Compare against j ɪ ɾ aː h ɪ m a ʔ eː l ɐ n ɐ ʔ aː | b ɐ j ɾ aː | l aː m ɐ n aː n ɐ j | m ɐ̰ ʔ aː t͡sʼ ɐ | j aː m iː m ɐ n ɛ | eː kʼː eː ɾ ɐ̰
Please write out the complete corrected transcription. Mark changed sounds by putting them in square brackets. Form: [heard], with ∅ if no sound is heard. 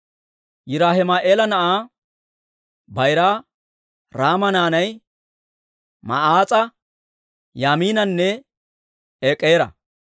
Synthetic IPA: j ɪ ɾ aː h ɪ m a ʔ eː l ɐ n ɐ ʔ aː | b ɐ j ɾ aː | [ɾ] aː m ɐ n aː n ɐ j | m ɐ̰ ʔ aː t͡sʼ ɐ | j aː m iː [n] ɐ [nː] ɛ | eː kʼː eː ɾ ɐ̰